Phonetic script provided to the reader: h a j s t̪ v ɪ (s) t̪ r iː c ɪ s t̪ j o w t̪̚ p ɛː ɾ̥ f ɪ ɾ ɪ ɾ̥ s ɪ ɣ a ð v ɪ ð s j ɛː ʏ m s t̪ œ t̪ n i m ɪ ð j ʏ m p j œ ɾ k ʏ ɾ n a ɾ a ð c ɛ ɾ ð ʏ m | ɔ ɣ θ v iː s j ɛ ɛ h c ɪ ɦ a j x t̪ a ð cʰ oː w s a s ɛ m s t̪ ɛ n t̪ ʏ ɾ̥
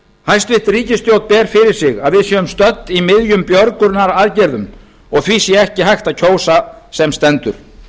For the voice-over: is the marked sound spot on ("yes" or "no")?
no